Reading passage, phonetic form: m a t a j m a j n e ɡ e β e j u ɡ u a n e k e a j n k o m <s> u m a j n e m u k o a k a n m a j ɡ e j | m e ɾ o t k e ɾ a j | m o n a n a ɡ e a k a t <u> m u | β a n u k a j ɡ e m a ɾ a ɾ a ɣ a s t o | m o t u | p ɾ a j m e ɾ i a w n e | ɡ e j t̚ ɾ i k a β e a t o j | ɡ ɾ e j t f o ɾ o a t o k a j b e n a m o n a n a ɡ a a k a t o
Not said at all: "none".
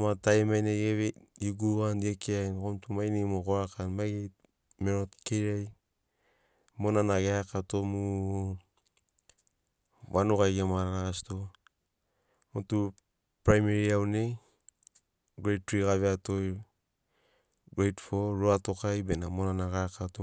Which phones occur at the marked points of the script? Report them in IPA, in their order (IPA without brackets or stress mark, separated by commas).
t, o